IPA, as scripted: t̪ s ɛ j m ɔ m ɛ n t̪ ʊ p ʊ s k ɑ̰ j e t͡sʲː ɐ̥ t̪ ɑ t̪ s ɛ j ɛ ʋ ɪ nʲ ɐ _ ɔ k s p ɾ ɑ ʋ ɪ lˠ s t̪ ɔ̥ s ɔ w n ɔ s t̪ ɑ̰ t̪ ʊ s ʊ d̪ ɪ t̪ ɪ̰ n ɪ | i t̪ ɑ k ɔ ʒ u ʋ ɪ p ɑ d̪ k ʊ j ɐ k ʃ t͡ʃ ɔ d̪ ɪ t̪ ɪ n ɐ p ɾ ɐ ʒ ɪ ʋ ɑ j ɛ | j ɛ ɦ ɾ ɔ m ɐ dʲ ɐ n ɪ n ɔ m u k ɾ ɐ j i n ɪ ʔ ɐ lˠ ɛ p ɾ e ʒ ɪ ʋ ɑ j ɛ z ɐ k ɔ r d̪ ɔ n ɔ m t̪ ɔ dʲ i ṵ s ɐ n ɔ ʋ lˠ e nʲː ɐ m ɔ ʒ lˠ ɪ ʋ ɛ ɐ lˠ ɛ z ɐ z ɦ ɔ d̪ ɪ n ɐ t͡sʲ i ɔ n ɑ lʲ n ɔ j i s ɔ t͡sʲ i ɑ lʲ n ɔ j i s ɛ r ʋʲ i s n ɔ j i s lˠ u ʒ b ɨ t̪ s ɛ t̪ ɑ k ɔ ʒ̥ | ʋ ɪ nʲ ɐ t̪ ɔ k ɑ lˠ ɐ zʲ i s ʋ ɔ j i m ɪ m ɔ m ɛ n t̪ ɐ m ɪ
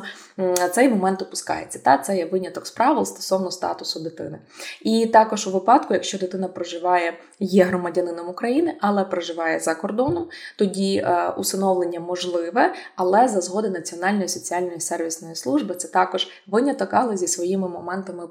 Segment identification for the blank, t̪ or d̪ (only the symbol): t̪